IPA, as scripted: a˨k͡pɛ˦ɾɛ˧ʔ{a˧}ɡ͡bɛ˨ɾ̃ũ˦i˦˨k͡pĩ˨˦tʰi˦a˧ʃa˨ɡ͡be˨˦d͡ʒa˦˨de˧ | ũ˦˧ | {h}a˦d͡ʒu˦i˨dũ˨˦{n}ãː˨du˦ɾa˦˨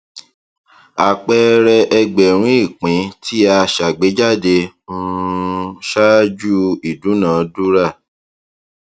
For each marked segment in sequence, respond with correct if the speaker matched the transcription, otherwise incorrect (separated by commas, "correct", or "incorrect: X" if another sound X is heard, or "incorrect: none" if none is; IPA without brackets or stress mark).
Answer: incorrect: ɛ˧, incorrect: ʃ, correct